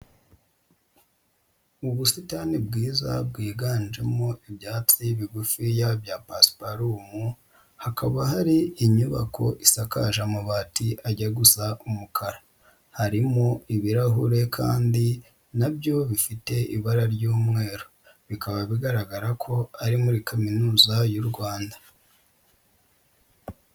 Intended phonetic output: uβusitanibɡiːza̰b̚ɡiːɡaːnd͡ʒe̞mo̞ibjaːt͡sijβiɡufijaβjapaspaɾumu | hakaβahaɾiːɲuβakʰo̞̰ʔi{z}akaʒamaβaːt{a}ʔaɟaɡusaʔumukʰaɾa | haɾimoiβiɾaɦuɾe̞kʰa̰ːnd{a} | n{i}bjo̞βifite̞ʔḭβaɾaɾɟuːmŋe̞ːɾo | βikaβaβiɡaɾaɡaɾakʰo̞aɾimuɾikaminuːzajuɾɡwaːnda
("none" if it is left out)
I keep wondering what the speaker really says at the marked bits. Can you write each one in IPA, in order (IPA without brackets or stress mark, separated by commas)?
s, i, i, a